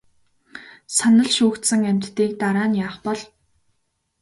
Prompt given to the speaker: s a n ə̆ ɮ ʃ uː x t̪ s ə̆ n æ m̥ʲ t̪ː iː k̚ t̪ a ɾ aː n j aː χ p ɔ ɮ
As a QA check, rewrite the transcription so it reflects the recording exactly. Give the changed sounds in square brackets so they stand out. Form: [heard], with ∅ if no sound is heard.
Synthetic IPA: s a n ə̆ ɮ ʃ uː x t̪ s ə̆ [ŋ] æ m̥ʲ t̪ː iː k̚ t̪ a ɾ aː n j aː χ p ɔ ɮ